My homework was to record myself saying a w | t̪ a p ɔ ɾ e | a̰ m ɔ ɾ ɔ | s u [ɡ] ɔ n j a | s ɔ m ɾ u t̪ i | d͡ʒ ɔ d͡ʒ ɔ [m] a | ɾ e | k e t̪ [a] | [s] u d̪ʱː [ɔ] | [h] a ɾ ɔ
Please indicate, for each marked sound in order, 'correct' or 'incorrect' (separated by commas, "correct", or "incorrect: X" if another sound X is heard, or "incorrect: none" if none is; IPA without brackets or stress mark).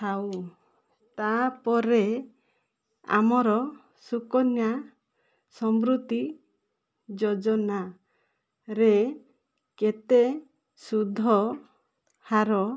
incorrect: k, incorrect: n, incorrect: e, correct, correct, correct